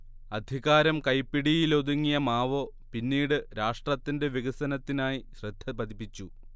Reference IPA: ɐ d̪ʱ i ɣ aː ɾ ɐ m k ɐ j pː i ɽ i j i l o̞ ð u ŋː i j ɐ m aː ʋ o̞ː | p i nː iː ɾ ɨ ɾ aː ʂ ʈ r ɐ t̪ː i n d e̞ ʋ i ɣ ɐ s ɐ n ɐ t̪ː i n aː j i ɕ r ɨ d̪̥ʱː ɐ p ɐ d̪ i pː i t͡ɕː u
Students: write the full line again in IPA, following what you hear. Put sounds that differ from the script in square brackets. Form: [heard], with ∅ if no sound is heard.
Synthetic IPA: ɐ d̪ʱ i ɣ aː ɾ ɐ m k ɐ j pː i ɽ i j i l o̞ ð u ŋː i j ɐ m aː ʋ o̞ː | p i nː iː [ɽ] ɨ ɾ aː ʂ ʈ r ɐ t̪ː i n d e̞ ʋ i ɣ ɐ s ɐ n ɐ t̪ː i n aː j i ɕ r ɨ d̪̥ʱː ɐ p ɐ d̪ i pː i t͡ɕː u